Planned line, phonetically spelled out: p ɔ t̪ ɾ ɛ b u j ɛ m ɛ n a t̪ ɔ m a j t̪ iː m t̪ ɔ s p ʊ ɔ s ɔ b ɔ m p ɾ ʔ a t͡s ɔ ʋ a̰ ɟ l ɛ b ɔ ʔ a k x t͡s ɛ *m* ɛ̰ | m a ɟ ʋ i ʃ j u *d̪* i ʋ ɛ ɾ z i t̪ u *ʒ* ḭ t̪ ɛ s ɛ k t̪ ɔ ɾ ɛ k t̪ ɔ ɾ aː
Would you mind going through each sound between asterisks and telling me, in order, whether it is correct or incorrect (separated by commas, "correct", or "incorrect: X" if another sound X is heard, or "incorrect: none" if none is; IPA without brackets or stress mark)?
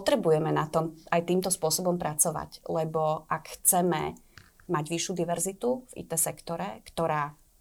correct, correct, incorrect: v